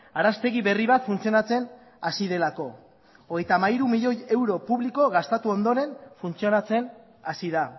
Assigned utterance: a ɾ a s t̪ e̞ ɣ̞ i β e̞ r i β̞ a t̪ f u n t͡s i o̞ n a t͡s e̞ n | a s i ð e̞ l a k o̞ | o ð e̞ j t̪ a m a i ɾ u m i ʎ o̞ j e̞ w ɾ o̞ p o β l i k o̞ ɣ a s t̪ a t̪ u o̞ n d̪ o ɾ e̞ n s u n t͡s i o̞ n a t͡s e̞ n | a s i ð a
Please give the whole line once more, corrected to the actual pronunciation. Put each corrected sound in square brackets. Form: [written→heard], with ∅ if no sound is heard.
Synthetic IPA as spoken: a ɾ a s t̪ e̞ ɣ̞ i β e̞ r i β̞ a t̪ f u n t͡s i o̞ n a t͡s e̞ n | a s i ð e̞ l a k o̞ | o [ð→ɣ] e̞ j t̪ a m a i ɾ u m i ʎ o̞ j e̞ w ɾ o̞ p [o→u] β l i k o̞ ɣ a s t̪ a t̪ u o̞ n d̪ o ɾ e̞ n [s→f] u n t͡s i o̞ n a t͡s e̞ n | a s i ð a